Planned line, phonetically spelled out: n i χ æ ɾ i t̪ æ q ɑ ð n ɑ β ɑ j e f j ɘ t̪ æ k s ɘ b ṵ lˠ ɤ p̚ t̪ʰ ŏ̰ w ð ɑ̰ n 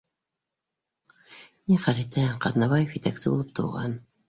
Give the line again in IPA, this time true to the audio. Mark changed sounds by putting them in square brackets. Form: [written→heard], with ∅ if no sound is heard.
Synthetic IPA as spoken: n i χ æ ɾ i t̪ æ q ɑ ð n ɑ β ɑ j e f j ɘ t̪ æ k s ɘ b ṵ lˠ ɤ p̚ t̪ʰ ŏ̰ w [ð→ʁ] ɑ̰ n